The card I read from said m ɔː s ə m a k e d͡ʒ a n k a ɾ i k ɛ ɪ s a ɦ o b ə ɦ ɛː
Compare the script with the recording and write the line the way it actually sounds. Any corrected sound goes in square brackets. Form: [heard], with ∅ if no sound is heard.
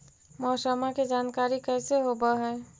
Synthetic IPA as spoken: m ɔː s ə m a k e d͡ʒ a n k a ɾ i k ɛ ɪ s [e] ɦ o b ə ɦ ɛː